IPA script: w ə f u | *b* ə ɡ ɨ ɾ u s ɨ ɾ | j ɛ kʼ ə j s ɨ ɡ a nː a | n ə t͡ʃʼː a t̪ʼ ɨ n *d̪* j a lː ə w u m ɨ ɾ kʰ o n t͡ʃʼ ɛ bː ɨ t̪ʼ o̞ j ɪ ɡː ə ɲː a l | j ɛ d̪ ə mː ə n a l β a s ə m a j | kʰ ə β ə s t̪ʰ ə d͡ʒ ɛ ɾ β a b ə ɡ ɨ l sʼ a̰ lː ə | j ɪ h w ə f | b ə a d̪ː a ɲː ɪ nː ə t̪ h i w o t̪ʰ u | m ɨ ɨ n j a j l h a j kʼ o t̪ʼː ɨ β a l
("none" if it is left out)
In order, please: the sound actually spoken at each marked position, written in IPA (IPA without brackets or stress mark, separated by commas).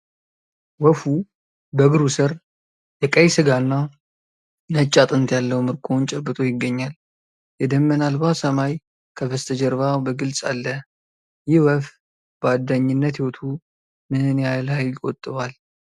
b, t̪